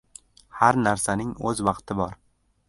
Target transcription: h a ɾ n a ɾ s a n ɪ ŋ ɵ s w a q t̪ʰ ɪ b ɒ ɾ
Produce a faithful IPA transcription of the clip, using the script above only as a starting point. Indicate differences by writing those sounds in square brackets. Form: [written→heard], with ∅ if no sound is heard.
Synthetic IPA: h a ɾ n a ɾ s a n ɪ ŋ ɵ [s→z] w [a→ɑ] q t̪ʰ ɪ b ɒ ɾ